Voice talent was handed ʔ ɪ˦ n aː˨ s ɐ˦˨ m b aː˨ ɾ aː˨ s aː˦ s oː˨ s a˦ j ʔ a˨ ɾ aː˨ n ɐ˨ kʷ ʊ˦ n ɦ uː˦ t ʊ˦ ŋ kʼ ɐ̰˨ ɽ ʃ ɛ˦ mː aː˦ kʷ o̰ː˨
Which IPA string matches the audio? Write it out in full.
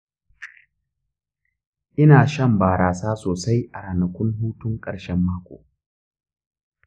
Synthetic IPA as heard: ʔ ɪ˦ n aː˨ ʃ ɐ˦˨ m b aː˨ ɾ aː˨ s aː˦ s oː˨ s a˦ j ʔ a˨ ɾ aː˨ n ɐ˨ kʷ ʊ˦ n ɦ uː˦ t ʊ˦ ŋ kʼ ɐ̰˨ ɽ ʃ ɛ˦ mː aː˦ kʷ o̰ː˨